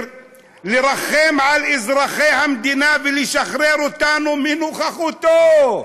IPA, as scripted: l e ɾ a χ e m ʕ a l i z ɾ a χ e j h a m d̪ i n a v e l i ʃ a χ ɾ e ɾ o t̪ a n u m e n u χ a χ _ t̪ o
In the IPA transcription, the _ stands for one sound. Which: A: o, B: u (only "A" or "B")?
B